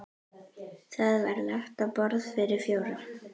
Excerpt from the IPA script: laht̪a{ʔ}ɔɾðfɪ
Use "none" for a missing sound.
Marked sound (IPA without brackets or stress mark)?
p